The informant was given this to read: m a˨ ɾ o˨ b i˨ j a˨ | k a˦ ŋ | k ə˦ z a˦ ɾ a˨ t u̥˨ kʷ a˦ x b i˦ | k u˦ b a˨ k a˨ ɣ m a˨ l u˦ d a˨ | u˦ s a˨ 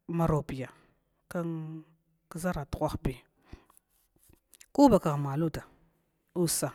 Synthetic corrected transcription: m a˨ ɾ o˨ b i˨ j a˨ | k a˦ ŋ | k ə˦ z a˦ ɾ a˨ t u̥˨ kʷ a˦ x b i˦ | k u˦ b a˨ k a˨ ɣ m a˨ l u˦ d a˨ | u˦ s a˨

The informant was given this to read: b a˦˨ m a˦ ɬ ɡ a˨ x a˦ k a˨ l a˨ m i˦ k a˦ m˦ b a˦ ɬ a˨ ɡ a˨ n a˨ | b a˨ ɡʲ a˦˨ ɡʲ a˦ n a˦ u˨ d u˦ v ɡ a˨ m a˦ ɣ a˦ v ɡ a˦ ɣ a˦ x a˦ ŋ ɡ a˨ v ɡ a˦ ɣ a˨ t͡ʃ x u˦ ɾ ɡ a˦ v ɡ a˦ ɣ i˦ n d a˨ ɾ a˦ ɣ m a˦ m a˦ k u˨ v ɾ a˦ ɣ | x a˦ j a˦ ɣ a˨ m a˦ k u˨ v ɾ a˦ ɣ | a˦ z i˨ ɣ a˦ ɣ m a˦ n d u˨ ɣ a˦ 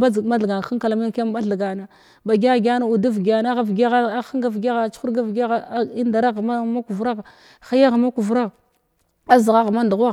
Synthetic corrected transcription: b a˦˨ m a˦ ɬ ɡ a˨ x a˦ k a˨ l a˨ m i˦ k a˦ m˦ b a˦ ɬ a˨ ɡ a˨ n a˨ | b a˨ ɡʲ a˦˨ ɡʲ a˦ n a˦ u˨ d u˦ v ɡ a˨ n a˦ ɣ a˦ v ɡ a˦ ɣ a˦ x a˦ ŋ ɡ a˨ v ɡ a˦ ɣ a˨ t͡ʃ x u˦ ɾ ɡ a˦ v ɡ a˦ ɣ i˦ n d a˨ ɾ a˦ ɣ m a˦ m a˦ k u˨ v ɾ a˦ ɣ | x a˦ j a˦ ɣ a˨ m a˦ k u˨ v ɾ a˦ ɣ | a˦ z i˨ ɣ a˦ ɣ m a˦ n d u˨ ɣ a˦

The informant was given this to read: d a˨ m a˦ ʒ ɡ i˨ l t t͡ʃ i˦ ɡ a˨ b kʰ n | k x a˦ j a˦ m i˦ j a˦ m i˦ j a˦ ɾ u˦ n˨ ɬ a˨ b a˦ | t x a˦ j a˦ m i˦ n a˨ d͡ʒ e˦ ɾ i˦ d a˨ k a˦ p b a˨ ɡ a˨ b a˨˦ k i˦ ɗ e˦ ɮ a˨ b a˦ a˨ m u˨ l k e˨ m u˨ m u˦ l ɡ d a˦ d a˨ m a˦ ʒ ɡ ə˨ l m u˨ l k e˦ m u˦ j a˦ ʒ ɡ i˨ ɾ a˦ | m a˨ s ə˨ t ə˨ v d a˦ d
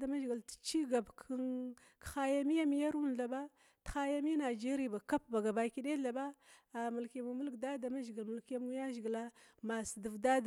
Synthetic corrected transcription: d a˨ m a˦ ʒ ɡ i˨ l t t͡ʃ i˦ ɡ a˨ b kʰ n | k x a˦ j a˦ m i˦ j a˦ m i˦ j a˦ ɾ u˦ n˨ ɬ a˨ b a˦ | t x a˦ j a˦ m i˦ n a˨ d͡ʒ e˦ ɾ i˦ b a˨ k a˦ p b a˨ ɡ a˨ b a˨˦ k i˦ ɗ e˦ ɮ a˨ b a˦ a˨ m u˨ l k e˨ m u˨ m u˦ l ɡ d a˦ d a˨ m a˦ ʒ ɡ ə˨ l m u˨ l k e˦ m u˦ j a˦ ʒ ɡ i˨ l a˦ | m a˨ s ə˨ d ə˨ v d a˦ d

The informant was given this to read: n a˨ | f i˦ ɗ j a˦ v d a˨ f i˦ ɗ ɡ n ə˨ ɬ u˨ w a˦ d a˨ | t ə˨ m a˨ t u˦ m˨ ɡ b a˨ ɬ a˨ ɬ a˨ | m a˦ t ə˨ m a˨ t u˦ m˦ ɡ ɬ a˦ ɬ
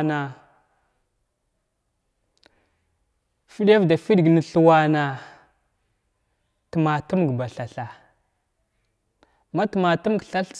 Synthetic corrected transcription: n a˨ | f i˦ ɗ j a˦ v d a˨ f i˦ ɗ ɡ n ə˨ ɬ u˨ w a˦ n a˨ | t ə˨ m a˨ t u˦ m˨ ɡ b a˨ ɬ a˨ ɬ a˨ | m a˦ t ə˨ m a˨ t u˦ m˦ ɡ ɬ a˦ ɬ

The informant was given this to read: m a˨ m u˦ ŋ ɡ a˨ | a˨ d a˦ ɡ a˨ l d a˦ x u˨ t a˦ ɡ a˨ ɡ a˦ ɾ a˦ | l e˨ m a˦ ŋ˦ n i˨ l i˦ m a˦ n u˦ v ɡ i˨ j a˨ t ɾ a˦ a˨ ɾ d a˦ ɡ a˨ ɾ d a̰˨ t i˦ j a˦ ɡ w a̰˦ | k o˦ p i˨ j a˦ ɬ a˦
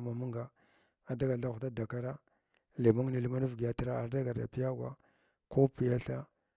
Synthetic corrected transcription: m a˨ m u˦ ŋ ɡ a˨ | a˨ d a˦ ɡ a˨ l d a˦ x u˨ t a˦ d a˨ k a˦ ɾ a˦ | l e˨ m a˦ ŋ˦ n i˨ l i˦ m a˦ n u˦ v ɡ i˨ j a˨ t ɾ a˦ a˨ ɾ d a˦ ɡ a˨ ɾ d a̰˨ p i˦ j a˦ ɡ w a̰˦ | k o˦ p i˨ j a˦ ɬ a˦

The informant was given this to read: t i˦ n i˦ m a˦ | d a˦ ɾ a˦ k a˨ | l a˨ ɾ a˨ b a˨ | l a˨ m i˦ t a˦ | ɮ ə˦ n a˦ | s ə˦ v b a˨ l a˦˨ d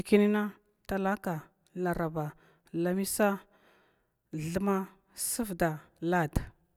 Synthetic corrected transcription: k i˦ n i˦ n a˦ | t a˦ l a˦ k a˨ | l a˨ ɾ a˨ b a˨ | l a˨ m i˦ s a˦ | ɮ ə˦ m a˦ | s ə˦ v d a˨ l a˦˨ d

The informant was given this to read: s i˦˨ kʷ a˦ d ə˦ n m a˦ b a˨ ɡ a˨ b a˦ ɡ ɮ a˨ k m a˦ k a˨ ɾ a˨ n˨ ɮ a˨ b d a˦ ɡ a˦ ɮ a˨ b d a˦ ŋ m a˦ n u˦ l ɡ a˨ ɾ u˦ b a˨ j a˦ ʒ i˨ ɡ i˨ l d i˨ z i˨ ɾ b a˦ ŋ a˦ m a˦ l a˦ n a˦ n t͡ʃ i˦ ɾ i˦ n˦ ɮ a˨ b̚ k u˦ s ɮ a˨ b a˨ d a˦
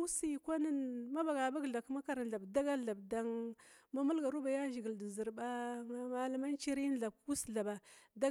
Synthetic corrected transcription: s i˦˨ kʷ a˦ n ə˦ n m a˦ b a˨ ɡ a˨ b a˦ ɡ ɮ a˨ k m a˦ k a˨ ɾ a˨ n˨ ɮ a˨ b d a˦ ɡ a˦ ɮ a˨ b d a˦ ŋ m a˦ m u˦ l ɡ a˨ ɾ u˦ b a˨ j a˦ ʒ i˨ ɡ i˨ l d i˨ z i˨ ɾ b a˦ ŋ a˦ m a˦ l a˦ m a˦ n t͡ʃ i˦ ɾ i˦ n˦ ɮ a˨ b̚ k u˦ s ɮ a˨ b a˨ d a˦

